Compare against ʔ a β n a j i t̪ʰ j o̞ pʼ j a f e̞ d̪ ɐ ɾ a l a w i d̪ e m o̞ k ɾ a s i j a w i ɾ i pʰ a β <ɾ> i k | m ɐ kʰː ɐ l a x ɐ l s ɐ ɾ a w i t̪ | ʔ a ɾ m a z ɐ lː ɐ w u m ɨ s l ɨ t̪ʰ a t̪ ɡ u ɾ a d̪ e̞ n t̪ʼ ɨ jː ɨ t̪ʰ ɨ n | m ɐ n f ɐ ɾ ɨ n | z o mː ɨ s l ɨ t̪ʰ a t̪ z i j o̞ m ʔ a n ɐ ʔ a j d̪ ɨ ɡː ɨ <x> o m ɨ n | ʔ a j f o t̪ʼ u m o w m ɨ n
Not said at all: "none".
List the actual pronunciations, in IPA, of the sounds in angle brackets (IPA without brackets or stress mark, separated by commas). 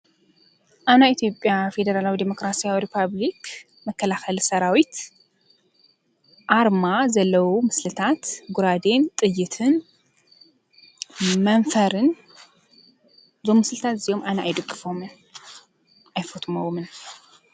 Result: l, f